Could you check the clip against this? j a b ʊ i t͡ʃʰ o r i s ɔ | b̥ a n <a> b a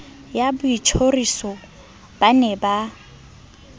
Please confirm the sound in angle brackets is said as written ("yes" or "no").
no